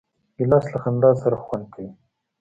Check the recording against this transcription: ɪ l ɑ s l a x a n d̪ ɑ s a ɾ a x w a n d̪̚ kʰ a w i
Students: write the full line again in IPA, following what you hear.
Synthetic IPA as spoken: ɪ l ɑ s l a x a n d̪ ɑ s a ɾ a x w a n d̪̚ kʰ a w i